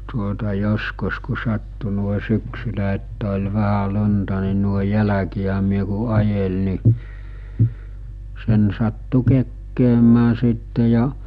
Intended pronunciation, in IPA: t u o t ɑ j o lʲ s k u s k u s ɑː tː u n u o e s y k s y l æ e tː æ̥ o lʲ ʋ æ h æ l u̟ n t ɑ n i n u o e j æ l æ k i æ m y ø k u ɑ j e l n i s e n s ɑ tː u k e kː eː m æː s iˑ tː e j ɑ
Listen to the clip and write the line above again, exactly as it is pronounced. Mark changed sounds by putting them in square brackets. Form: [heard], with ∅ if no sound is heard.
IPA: t u o t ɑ j o [∅] s k u s k u s [ɑ] tː u n u o e s y k s y l æ e tː æ̥ o lʲ ʋ æ h æ l u̟ n t ɑ n i n u o e j æ l æ k i æ m y ø k u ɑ j e l n i s e n s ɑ tː u k e kː eː m æː s iˑ tː e j ɑ